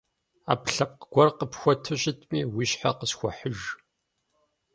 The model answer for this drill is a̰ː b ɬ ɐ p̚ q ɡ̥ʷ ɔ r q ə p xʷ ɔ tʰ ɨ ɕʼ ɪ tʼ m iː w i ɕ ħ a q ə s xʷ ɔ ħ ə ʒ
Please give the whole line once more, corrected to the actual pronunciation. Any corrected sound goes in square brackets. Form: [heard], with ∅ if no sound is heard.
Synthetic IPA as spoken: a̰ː [p] ɬ ɐ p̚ q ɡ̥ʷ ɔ r q ə p xʷ ɔ tʰ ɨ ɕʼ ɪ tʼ m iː w i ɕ ħ a q ə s xʷ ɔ ħ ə ʒ

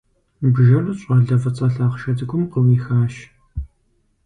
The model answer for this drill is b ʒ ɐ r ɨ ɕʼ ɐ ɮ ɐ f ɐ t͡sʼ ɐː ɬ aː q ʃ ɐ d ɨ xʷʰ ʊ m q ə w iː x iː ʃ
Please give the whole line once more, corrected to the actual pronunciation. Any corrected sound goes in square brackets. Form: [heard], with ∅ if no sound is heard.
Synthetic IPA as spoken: b ʒ ɐ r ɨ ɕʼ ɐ ɮ ɐ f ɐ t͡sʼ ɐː ɬ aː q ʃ ɐ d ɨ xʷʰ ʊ m q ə w iː x [aː] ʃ

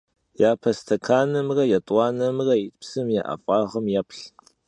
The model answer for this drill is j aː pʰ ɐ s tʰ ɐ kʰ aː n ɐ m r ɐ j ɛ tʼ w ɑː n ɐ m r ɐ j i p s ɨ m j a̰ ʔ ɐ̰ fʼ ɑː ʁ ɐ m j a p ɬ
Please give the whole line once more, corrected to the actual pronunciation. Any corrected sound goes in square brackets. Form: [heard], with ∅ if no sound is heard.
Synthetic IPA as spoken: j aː pʰ ɐ s tʰ ɐ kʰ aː n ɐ m r ɐ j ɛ tʼ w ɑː n ɐ m r ɐ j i p s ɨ m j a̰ ʔ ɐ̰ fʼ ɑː ʁ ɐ m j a p ɬ

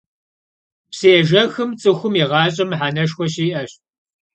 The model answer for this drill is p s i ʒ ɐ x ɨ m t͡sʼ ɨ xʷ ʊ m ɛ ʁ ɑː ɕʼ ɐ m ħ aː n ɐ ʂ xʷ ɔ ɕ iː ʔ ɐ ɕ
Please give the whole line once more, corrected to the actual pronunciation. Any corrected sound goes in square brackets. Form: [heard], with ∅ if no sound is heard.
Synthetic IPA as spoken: p s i ʒ ɐ x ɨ m t͡sʼ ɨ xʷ ʊ m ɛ ʁ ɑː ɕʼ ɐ m ħ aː n ɐ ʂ xʷ ɔ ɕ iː ʔ ɐ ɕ

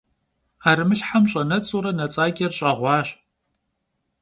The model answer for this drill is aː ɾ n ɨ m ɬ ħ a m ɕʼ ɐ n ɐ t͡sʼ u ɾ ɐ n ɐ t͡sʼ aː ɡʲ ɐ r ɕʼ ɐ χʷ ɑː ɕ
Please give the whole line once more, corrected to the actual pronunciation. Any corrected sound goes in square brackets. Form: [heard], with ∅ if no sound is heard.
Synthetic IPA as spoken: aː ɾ [m] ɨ [∅] ɬ ħ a m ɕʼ ɐ n ɐ t͡sʼ u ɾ ɐ n ɐ t͡sʼ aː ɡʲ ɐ r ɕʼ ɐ [ʁʷ] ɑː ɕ

